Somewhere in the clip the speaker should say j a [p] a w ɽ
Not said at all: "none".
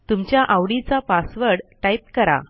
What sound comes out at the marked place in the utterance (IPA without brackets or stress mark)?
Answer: ʔ